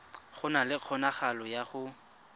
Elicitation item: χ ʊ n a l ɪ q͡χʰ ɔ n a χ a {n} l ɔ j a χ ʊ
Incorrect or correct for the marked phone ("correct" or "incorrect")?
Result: incorrect